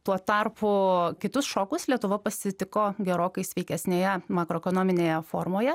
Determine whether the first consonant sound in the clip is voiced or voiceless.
voiceless